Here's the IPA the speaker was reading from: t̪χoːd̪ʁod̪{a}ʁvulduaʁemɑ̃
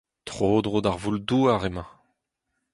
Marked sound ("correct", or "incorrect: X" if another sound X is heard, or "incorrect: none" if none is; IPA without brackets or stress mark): correct